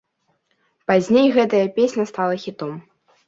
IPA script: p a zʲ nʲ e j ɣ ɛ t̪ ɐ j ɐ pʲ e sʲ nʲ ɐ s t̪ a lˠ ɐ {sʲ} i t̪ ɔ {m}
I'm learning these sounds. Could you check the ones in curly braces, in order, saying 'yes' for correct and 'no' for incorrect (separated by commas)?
no, yes